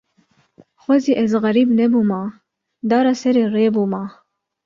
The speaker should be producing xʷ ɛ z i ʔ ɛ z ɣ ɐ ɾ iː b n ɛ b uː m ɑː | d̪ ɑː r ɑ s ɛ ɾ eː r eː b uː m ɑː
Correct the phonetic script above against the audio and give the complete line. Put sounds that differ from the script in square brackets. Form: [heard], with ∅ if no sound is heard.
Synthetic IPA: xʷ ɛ z i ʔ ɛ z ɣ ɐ ɾ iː b n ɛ b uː m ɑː | d̪ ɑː [ɾ] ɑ s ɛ ɾ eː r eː b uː m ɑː